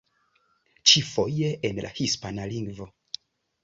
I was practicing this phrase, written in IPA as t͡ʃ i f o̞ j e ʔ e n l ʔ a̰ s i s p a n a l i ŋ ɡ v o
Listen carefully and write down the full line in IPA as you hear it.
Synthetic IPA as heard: t͡ʃ i f o̞ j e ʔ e n l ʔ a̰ h i s p a n a l i ŋ ɡ v o